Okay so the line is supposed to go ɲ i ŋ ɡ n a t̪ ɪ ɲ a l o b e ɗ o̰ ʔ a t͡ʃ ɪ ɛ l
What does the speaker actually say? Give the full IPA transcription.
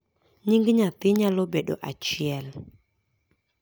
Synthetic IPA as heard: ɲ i ŋ ɡ ɲ a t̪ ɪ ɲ a l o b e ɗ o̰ ʔ a t͡ʃ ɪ ɛ l